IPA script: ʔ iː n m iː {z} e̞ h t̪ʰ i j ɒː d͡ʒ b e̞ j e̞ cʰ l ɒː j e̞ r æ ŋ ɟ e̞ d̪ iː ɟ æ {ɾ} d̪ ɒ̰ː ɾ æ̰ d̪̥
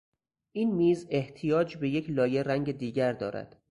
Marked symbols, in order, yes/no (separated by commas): yes, yes